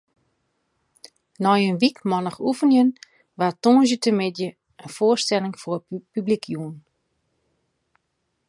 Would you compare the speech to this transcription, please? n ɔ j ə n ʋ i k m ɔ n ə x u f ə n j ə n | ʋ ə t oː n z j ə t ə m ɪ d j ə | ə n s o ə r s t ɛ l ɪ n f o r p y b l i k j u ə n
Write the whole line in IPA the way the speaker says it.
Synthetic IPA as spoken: n ɔ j ə n ʋ i k m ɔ n ə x u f ə n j ə n | ʋ a t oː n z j ə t ə m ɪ d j ə | ə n f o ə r s t ɛ l ɪ ŋ f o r p y b l i k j u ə n